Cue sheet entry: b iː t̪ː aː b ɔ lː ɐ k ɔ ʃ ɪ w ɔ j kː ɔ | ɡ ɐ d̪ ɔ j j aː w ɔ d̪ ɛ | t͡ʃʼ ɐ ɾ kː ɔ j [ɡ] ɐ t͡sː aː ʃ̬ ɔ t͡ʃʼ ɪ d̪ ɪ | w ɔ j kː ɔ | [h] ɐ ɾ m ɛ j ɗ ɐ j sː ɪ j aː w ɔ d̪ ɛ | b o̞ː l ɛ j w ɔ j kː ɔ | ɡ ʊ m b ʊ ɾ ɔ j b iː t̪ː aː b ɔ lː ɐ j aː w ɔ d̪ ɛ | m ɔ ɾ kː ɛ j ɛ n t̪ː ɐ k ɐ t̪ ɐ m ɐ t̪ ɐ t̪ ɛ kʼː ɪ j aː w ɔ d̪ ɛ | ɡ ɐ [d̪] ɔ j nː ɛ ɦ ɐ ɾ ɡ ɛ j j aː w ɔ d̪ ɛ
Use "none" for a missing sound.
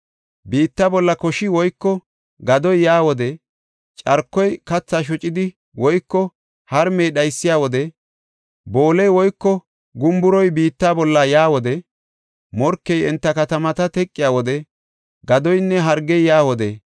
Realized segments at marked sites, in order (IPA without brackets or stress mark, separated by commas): k, h, d̪